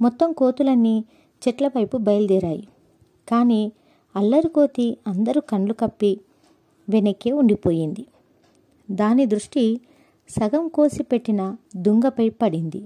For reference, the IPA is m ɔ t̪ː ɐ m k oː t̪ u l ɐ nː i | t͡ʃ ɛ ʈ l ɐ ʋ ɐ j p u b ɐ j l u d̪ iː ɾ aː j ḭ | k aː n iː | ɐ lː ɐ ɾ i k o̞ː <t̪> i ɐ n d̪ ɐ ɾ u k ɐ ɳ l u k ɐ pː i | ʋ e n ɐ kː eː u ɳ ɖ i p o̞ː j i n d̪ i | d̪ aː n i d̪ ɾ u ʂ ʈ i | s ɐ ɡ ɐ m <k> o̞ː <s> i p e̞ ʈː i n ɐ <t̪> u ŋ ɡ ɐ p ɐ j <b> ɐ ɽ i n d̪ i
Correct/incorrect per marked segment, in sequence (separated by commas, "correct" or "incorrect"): correct, correct, correct, incorrect, incorrect